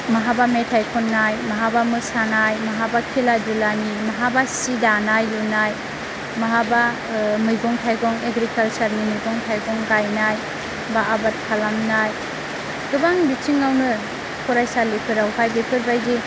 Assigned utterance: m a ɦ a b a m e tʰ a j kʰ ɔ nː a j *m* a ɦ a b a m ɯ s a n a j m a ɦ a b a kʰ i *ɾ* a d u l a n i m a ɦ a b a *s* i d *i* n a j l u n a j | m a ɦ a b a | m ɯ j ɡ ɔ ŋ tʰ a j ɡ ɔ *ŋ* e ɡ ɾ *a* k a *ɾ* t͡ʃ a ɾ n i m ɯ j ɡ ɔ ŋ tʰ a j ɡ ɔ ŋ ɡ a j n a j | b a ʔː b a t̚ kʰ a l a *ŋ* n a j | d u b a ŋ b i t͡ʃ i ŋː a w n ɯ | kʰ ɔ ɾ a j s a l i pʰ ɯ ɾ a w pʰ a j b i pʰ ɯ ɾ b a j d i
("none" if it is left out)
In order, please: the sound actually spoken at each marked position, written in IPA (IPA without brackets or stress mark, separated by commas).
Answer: m, l, s, a, ŋ, i, l, m